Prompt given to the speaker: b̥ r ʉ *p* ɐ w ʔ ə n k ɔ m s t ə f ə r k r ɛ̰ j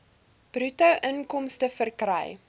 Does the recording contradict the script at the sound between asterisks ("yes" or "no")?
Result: yes